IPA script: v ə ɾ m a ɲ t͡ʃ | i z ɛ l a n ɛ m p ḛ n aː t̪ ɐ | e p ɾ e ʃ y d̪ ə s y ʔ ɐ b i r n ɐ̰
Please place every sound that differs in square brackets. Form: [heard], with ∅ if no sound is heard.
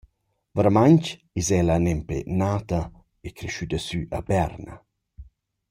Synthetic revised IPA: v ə ɾ m a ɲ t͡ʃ | i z ɛ l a n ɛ m p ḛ n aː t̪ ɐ | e [k] ɾ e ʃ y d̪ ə s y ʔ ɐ b [ɛ] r n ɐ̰

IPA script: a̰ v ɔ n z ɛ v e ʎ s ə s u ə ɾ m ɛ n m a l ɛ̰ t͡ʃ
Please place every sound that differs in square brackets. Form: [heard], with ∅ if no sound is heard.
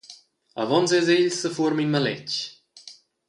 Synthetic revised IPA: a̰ v ɔ n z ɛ [z] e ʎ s ə [f] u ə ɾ m [i] n m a l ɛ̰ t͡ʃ

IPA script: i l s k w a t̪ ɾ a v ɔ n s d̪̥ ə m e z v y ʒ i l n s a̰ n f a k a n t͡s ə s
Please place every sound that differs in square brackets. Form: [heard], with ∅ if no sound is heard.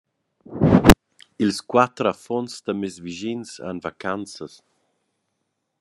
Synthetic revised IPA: i l s k w a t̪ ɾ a [f] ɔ n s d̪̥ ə m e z v [i] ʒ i [∅] n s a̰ n [v] a k a n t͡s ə s

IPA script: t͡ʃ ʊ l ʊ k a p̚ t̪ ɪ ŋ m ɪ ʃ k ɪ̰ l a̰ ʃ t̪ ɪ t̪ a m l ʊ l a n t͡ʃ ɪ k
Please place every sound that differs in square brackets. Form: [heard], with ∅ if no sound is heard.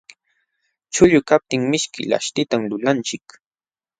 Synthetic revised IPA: t͡ʃ ʊ [ʎ] ʊ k a p̚ t̪ ɪ ŋ m ɪ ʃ k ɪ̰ l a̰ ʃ t̪ ɪ t̪ a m l ʊ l a n t͡ʃ ɪ k

